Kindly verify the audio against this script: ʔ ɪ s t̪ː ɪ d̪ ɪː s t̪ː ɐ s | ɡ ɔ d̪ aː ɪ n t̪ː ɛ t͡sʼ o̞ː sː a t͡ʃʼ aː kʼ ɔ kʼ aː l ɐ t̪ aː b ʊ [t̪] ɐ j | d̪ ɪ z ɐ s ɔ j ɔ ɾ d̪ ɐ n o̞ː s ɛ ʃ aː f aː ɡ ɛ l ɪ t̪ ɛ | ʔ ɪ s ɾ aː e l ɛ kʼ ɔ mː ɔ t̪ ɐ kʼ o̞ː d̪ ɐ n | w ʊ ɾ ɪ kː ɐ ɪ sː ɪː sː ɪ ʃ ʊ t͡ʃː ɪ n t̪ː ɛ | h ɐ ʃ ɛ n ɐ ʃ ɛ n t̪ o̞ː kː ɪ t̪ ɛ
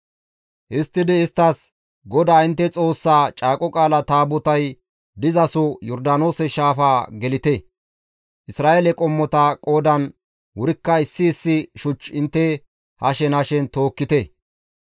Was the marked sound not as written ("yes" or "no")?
no